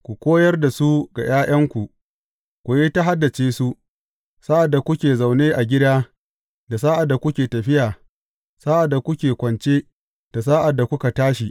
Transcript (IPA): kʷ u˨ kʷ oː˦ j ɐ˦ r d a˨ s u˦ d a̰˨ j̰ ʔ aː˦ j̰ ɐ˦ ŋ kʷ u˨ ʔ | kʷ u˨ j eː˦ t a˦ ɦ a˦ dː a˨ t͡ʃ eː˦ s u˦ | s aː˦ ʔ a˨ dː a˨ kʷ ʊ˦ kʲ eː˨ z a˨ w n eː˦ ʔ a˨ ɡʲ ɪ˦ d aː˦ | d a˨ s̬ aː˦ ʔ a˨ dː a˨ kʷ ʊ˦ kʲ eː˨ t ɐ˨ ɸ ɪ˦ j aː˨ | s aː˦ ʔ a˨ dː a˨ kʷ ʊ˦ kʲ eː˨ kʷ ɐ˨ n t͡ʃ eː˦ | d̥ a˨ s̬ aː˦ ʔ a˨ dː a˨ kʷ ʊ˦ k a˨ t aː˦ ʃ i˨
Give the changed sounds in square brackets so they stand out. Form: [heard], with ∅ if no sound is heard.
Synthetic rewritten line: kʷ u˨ kʷ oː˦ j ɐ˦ r d a˨ s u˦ [ɡ] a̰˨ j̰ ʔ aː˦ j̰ ɐ˦ ŋ kʷ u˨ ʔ | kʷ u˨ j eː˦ t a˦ ɦ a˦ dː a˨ t͡ʃ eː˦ s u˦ | s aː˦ ʔ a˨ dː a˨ kʷ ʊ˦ kʲ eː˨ z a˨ w n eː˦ ʔ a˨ ɡʲ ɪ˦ d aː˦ | d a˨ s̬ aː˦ ʔ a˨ dː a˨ kʷ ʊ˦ kʲ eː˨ t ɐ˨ ɸ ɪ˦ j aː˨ | s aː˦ ʔ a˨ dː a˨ kʷ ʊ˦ kʲ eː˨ kʷ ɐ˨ n t͡ʃ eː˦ | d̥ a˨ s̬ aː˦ ʔ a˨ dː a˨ kʷ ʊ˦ k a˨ t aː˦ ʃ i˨

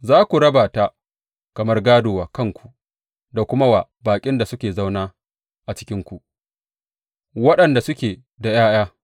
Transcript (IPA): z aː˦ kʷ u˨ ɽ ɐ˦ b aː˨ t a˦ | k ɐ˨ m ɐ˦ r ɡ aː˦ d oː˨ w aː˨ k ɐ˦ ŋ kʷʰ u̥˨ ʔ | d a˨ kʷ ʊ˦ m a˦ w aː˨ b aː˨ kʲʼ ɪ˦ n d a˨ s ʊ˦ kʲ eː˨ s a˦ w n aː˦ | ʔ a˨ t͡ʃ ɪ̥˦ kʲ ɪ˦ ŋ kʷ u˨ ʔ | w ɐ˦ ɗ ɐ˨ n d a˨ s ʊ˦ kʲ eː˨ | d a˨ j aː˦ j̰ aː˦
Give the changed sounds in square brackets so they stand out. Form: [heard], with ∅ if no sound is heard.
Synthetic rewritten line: z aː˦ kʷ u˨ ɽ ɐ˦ b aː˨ t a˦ | k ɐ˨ m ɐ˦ r ɡ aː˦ d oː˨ w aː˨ k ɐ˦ ŋ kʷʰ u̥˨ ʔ | d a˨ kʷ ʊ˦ m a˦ w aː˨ b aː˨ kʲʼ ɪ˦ n d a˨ s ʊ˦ kʲ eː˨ [z] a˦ w n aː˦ | ʔ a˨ t͡ʃ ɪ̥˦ kʲ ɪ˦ ŋ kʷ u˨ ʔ | w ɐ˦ ɗ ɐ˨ n d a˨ s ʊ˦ kʲ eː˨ | d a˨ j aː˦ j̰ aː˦

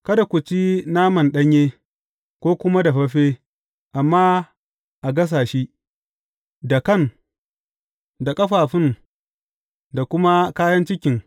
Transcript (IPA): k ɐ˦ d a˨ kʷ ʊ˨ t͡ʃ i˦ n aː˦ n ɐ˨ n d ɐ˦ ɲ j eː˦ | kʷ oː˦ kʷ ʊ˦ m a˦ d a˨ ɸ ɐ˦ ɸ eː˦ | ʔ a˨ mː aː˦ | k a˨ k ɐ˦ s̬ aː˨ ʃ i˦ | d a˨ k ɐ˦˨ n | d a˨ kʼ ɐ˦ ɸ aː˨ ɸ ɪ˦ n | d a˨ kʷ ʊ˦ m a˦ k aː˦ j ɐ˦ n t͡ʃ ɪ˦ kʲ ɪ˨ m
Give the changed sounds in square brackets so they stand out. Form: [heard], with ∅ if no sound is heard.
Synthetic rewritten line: k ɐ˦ d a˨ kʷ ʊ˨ t͡ʃ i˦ n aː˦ [m] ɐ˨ n [ɗ] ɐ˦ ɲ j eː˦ | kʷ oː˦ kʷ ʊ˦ m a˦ d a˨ ɸ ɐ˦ ɸ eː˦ | ʔ a˨ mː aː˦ | [ʔ] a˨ [ɡ] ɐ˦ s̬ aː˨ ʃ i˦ | d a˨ k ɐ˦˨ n | d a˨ kʼ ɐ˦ ɸ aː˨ ɸ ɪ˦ n | d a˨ kʷ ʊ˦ m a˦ k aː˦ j ɐ˦ n t͡ʃ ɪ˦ kʲ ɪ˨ [ŋ]

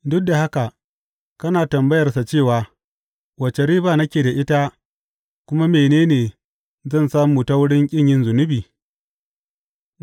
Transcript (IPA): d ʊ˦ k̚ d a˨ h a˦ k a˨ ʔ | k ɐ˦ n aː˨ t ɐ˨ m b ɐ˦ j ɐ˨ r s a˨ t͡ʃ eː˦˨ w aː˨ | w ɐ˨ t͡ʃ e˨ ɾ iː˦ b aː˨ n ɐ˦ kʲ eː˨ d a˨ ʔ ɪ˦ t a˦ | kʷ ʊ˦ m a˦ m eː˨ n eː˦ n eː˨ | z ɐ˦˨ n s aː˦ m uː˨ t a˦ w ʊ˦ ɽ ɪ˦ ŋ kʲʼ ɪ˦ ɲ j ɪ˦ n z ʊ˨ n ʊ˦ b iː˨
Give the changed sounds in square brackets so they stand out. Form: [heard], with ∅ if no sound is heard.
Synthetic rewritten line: d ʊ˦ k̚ d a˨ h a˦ k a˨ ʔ | k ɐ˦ n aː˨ t ɐ˨ m b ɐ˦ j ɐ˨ r s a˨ t͡ʃ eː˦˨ w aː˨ | w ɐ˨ t͡ʃ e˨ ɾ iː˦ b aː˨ n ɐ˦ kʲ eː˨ d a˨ ʔ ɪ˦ t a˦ | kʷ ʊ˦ m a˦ m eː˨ n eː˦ n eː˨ | z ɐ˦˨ n s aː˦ m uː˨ t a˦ w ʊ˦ ɽ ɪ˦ ŋ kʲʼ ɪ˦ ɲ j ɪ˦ n z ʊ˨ n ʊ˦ b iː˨

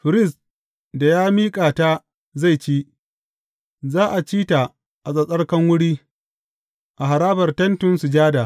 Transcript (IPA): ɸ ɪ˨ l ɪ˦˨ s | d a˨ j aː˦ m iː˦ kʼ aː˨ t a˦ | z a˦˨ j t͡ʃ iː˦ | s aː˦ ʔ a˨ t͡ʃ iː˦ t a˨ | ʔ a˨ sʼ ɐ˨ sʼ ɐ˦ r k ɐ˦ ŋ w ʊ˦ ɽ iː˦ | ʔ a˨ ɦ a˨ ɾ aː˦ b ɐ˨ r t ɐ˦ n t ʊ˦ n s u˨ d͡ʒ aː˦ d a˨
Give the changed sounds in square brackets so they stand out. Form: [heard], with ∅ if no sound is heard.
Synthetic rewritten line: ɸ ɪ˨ [ɾ] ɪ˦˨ s | d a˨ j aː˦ m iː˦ kʼ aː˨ t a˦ | z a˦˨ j t͡ʃ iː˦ | [z] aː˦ ʔ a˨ t͡ʃ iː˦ t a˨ | ʔ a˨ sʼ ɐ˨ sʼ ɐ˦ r k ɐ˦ ŋ w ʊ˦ ɽ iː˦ | ʔ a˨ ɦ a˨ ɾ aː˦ b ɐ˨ r t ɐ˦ n t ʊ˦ n s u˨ d͡ʒ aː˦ d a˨

